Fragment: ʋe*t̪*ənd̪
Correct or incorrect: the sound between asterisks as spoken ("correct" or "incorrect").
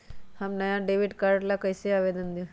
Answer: incorrect